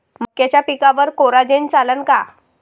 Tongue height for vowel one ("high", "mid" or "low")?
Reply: mid